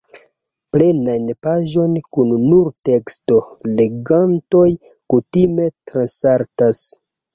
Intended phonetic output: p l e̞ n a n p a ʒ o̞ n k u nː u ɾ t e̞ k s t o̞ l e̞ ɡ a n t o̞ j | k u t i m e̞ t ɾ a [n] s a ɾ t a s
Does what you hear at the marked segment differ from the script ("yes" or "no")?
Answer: no